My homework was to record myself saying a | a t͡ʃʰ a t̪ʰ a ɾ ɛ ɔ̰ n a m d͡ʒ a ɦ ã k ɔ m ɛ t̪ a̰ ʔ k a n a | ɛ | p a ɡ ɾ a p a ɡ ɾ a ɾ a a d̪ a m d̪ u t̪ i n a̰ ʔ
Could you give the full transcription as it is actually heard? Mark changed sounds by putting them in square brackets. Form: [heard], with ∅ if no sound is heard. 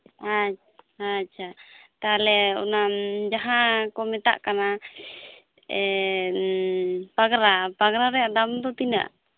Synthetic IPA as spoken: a | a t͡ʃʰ a [t̪] a [l] ɛ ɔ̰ n a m d͡ʒ a ɦ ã k ɔ m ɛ t̪ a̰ ʔ k a n a | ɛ | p a ɡ ɾ a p a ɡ ɾ a ɾ [ɛ] a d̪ a m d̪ [ɔ] t̪ i n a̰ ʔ